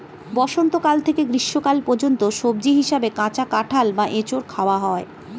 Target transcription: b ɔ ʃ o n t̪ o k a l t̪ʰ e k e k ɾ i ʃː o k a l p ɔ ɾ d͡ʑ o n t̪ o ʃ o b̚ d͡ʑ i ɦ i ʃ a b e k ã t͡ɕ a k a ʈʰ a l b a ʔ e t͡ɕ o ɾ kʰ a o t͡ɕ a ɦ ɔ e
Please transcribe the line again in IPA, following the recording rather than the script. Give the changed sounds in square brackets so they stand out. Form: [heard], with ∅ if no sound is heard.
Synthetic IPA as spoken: b ɔ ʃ o n t̪ o k a l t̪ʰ e k e [ɡ] ɾ i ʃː o k a l p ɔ ɾ d͡ʑ o n t̪ o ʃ o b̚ d͡ʑ i ɦ i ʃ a b e k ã t͡ɕ a k a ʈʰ a l b a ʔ e t͡ɕ o ɾ kʰ a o [∅] a ɦ ɔ e